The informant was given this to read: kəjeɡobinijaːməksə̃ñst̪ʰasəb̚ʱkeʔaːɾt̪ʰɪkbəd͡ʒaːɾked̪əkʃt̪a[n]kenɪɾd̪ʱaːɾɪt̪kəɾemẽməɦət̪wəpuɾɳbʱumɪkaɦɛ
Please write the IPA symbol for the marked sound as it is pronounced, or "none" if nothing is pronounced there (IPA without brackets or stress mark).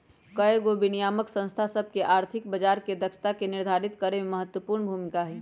none